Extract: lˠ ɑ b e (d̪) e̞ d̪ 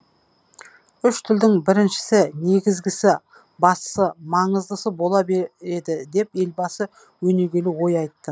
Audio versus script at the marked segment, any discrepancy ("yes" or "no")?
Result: yes